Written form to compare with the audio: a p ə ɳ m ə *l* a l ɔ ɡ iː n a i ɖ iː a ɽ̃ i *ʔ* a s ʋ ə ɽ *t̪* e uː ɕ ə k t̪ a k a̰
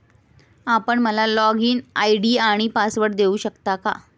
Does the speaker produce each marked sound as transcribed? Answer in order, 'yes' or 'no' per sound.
yes, no, no

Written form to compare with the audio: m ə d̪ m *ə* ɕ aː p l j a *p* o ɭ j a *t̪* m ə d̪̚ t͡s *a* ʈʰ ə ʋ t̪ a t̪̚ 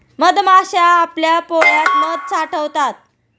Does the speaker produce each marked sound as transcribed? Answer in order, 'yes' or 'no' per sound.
no, yes, yes, yes

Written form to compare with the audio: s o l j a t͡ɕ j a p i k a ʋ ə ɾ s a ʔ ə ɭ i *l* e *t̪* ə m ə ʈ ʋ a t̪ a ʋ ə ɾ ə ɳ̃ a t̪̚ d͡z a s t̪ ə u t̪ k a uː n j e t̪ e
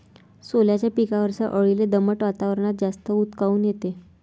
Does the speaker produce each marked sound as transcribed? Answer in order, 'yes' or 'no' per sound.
yes, no

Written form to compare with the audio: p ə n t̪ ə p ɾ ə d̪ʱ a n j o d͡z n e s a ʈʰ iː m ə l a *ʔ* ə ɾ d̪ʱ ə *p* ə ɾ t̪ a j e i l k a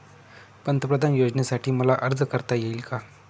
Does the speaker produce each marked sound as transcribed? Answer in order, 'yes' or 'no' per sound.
yes, no

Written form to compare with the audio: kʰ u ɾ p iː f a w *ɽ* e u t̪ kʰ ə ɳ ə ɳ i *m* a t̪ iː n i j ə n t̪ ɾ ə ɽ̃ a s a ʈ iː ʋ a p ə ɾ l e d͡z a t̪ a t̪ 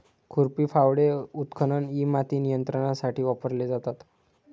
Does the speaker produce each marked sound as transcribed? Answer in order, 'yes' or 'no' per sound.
yes, yes

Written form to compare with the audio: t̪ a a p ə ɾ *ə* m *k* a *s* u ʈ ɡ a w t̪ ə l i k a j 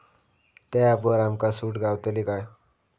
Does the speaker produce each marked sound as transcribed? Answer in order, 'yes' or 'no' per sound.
no, yes, yes

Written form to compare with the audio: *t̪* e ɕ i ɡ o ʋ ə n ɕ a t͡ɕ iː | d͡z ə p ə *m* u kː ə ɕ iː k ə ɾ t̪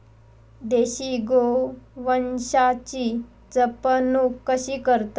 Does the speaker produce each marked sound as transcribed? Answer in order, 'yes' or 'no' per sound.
no, no

